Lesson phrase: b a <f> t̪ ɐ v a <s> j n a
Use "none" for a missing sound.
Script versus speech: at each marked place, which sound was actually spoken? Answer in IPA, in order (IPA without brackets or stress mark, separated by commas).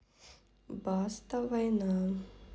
s, none